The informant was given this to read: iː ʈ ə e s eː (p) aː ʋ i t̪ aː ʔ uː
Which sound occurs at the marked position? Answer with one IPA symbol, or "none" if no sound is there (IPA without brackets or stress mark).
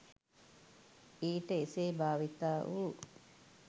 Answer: b